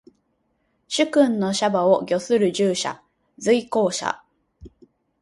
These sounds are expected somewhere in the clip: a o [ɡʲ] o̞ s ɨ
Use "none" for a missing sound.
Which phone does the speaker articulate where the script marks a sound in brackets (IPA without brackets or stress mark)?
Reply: ɡʲ